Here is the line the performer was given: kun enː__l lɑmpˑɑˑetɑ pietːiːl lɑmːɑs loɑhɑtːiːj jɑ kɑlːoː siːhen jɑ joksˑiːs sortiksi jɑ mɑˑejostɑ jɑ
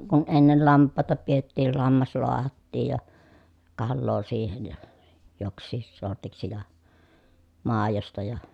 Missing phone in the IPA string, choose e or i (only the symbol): e